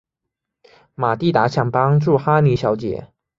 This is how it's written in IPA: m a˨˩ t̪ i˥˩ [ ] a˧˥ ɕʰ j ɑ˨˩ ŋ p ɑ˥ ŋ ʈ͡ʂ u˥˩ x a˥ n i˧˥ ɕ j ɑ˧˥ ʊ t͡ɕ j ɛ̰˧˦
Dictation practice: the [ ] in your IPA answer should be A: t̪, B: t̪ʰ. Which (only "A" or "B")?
A